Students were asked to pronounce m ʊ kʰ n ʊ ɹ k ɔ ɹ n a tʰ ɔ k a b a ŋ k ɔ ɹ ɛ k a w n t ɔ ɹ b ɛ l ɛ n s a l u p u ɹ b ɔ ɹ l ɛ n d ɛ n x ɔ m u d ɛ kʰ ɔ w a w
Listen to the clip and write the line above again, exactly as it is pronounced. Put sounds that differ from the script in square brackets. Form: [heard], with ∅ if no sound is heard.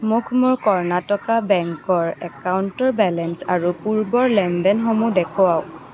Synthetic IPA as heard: m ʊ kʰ [m] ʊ ɹ k ɔ ɹ n a [t] ɔ k a b [ɛ] ŋ k ɔ ɹ ɛ k a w n t ɔ ɹ b ɛ l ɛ n s a [ɹ] u p u ɹ b ɔ ɹ l ɛ n d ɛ n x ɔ m u d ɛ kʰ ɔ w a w